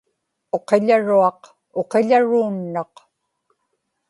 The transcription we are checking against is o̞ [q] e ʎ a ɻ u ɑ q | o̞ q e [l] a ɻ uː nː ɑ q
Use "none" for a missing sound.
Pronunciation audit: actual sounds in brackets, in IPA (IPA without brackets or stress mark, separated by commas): q, ʎ